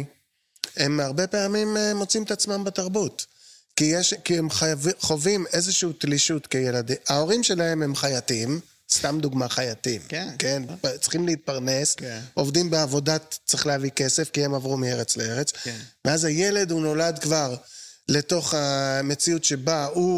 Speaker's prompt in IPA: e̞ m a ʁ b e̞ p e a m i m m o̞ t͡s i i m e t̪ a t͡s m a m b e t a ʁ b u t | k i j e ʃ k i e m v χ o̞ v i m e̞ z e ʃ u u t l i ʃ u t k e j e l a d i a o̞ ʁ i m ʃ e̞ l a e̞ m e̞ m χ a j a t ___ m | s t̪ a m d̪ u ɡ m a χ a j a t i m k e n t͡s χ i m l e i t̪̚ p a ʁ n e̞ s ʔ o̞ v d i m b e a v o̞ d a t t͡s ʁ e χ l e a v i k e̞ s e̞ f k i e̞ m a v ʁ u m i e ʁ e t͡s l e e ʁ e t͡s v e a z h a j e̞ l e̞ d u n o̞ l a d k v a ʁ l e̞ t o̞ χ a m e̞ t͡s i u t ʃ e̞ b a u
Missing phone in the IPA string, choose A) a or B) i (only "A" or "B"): B